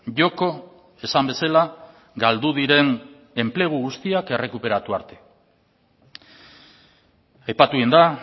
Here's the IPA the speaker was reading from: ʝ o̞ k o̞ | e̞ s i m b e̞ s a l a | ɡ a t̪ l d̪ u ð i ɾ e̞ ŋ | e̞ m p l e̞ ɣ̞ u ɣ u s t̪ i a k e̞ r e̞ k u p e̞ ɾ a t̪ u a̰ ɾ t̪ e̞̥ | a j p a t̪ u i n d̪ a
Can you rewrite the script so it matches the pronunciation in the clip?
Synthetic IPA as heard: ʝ o̞ k o̞ | e̞ s a m b e̞ s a l a | ɡ a l d̪ u ð i ɾ e̞ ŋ | e̞ m p l e̞ ɣ̞ u ɣ u s t̪ i a k e̞ r e̞ k u p e̞ ɾ a t̪ u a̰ ɾ t̪ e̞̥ | a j p a t̪ u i n d̪ a